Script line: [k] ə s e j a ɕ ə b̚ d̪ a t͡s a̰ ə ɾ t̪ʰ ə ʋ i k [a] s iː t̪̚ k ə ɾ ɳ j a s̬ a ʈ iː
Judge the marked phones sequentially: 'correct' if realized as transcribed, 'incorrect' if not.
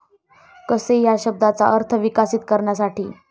correct, correct

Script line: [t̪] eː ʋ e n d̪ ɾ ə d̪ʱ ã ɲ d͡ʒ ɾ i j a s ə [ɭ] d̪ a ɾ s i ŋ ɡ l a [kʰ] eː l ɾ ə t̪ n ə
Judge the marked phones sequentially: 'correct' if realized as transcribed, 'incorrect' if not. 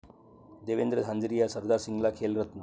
incorrect: d̪, incorrect: ɾ, correct

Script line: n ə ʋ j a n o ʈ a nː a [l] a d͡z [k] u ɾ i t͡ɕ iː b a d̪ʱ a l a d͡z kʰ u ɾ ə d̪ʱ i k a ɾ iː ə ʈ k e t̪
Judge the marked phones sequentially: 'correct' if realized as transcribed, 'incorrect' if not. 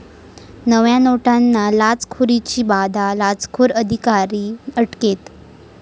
correct, incorrect: kʰ

